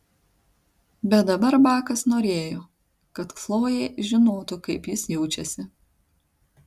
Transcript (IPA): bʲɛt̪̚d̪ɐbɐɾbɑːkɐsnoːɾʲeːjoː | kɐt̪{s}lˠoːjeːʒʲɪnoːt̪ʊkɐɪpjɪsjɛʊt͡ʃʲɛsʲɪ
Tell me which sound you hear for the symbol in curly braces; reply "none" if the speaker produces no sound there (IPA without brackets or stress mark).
f